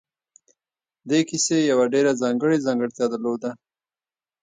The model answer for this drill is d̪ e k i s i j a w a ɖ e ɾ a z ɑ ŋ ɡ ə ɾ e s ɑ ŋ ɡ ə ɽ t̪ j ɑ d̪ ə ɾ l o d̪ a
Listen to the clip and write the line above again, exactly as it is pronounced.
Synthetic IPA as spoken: d̪ e k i s e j a w a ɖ e ɾ a z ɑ ŋ ɡ ə ɽ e z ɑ ŋ ɡ ə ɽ t̪ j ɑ d̪ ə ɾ l o d̪ a